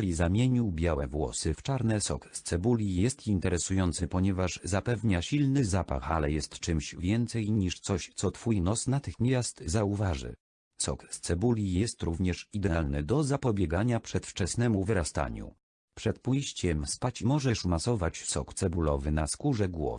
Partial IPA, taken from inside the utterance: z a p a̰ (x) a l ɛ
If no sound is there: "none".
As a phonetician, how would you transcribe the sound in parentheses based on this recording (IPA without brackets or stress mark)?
x